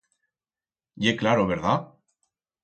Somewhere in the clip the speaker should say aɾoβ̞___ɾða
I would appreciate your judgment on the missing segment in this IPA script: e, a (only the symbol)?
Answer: e